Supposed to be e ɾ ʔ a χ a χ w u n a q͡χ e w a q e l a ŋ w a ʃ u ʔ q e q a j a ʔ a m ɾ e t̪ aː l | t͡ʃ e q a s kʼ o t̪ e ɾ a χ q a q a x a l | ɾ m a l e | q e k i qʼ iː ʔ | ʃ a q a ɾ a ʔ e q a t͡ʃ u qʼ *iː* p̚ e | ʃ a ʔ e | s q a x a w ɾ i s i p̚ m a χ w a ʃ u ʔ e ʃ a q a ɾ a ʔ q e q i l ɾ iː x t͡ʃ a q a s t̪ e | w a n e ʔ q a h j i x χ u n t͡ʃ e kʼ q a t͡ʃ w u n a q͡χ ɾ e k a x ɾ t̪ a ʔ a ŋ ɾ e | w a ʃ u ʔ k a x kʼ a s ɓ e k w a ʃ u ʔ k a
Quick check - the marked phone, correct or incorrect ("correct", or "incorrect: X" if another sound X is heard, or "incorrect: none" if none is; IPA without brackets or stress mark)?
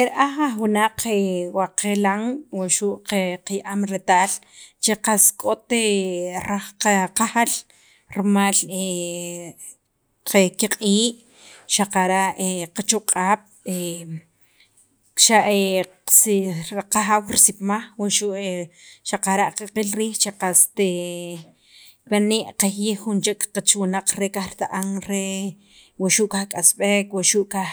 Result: incorrect: aː